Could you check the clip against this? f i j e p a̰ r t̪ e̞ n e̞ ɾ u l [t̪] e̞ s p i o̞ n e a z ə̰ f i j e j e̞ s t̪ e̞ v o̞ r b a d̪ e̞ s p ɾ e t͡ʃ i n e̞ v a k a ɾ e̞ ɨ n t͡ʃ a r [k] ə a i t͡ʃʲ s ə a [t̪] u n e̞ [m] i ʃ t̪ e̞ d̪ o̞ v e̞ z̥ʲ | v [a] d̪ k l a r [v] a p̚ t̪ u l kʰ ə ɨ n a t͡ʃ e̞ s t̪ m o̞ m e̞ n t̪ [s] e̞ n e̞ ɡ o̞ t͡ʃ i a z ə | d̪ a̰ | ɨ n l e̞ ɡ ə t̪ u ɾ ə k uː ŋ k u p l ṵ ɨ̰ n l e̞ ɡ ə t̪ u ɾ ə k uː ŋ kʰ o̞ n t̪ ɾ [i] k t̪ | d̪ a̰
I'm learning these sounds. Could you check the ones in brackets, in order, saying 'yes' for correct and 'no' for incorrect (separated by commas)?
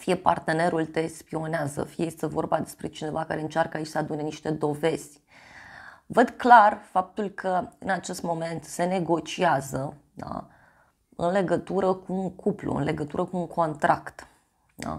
yes, yes, no, no, no, no, yes, no